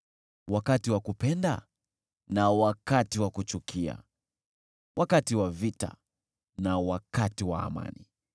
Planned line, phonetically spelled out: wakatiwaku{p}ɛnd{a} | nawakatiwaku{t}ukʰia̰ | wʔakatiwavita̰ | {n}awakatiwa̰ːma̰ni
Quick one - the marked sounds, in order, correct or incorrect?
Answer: correct, correct, incorrect, correct

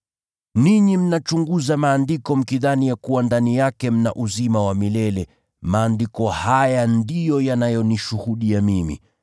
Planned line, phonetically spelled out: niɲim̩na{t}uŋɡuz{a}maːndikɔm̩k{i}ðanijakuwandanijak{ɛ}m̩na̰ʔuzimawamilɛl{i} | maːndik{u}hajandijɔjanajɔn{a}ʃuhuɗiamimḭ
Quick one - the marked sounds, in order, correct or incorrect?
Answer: incorrect, correct, correct, correct, incorrect, incorrect, incorrect

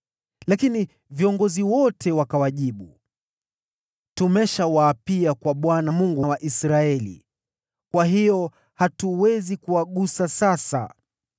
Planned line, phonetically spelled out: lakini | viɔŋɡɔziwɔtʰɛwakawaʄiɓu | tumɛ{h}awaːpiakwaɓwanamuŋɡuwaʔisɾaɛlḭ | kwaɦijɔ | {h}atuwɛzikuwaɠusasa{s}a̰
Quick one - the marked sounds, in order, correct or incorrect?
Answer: incorrect, correct, correct

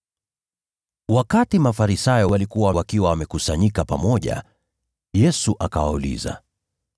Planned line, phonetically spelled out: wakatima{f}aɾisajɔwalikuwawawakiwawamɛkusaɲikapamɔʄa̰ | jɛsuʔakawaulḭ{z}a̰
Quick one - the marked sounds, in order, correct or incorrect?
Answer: correct, correct

